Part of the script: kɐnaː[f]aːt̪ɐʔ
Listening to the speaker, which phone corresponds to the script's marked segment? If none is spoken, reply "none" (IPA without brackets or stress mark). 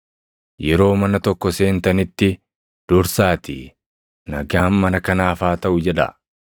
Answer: f